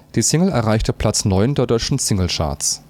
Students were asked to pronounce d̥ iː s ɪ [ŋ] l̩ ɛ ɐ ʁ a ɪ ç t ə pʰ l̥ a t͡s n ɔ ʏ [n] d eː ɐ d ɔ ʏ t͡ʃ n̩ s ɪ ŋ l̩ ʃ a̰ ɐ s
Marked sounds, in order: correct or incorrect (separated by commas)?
correct, correct